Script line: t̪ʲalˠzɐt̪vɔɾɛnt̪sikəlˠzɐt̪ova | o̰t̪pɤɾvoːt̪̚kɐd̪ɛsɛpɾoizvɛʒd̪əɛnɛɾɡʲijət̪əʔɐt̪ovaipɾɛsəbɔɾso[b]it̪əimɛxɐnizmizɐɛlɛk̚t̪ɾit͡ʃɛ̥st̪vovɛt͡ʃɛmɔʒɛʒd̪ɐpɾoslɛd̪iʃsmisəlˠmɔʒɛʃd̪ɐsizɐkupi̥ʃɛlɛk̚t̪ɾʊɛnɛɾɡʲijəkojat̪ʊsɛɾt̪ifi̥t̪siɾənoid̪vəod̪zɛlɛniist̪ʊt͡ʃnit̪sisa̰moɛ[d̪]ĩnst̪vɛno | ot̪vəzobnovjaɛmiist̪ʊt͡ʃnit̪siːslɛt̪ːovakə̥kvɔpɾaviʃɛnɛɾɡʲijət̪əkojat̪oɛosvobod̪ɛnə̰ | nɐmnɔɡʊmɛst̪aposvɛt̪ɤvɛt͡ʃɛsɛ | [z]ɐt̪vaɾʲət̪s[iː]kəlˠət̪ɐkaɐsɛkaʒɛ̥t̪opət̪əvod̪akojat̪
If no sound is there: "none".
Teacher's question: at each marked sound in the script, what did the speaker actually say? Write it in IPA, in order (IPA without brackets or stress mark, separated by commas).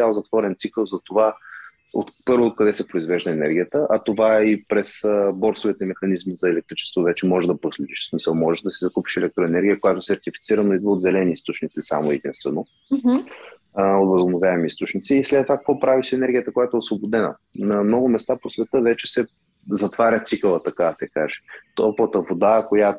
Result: v, d̪, z, i